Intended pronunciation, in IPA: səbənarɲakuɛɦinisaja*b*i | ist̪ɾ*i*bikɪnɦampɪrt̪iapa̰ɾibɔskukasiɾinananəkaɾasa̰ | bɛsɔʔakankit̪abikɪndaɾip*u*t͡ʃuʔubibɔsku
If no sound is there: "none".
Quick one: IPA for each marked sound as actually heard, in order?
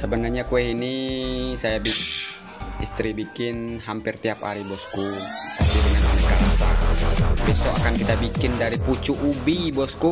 b, i, u

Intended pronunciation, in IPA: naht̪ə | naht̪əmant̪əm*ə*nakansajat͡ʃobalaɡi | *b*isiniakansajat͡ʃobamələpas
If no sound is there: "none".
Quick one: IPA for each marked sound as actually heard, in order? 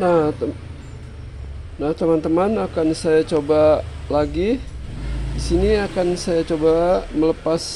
a, d

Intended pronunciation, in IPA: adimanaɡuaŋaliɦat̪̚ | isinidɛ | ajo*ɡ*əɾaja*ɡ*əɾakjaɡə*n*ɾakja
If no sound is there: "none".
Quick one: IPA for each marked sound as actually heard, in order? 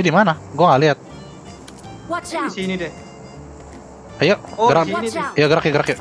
ɡ, ɡ, none

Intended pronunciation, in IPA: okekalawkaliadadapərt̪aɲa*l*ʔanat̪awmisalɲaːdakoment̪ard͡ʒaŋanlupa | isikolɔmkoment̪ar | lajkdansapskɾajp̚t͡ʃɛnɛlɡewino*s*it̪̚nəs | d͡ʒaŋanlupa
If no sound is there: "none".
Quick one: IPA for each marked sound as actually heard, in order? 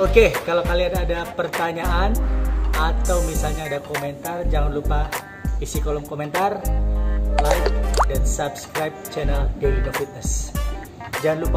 none, f

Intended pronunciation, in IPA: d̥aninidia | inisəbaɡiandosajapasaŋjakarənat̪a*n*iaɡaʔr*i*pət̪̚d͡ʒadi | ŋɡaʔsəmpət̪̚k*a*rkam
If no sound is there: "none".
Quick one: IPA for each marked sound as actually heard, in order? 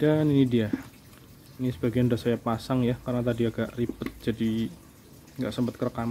d, i, ə

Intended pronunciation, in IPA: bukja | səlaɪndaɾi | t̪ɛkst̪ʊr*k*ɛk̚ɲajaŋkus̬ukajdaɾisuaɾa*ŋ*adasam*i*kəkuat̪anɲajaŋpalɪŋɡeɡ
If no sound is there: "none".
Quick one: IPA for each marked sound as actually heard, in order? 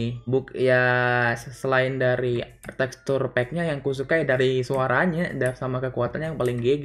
p, ɲ, a

